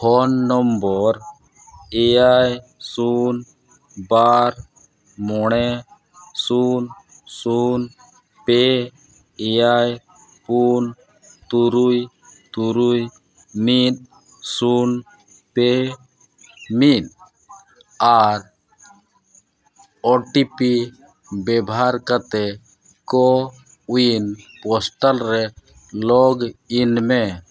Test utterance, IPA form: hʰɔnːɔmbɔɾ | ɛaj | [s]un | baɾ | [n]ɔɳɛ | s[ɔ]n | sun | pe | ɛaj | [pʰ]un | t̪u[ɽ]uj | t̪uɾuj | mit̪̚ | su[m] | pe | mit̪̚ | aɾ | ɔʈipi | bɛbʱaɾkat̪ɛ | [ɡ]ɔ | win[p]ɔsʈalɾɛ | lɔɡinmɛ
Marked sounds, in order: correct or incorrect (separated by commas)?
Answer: correct, incorrect, incorrect, incorrect, incorrect, incorrect, incorrect, correct